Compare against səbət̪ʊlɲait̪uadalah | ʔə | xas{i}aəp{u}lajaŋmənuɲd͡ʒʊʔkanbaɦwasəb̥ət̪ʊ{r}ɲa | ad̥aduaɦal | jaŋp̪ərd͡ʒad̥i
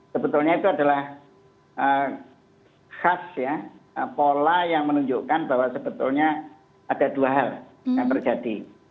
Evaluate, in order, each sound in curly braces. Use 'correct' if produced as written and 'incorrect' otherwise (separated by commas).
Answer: incorrect, incorrect, incorrect